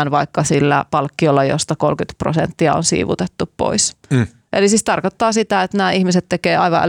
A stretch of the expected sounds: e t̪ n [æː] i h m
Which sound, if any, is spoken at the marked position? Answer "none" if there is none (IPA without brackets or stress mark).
æː